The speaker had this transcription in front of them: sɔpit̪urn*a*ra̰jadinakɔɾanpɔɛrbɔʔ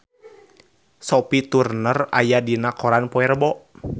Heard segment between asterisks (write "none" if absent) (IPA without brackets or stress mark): ə